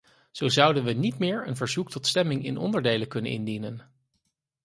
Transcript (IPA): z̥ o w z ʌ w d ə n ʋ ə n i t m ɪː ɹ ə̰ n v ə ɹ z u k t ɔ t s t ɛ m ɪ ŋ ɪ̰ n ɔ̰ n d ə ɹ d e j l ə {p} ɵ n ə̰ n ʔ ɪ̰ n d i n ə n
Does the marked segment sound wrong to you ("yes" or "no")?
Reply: yes